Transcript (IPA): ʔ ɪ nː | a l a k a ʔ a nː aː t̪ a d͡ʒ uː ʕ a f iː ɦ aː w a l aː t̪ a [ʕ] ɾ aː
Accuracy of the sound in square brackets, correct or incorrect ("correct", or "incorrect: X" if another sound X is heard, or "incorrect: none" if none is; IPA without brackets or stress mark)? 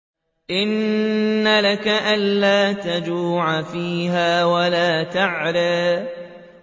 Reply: correct